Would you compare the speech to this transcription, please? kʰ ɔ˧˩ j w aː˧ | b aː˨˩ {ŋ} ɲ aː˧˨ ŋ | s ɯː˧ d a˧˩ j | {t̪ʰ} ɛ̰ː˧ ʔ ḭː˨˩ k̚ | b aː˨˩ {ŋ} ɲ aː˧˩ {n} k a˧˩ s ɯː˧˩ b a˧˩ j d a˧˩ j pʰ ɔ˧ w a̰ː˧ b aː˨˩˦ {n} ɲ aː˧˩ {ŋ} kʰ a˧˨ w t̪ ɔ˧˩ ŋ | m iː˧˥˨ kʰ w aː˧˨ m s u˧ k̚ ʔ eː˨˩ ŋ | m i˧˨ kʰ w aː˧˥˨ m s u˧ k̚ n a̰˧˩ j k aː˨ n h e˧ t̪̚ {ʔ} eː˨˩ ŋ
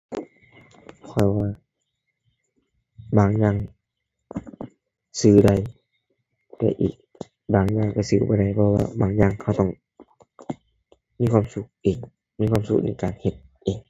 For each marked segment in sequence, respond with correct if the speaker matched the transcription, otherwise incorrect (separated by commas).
correct, incorrect, correct, incorrect, incorrect, correct, correct